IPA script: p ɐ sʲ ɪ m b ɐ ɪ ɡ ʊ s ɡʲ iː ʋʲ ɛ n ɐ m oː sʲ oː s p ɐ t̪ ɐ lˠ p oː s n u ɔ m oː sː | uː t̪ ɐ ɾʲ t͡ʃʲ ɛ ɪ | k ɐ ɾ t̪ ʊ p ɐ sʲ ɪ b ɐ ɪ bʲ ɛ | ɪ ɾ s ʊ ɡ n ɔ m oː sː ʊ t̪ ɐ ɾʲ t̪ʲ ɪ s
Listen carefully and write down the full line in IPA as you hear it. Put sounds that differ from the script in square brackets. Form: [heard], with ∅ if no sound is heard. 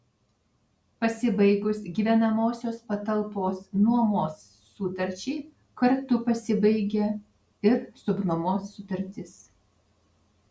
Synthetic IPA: p ɐ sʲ ɪ [∅] b ɐ ɪ ɡ ʊ s ɡʲ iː ʋʲ ɛ n ɐ m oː sʲ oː s p ɐ t̪ ɐ lˠ p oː s n u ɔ m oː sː | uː t̪ ɐ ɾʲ t͡ʃʲ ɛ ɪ | k ɐ ɾ t̪ ʊ p ɐ sʲ ɪ b ɐ ɪ [ɡʲ] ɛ | ɪ ɾ s ʊ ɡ n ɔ m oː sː ʊ t̪ ɐ ɾʲ t̪ʲ ɪ s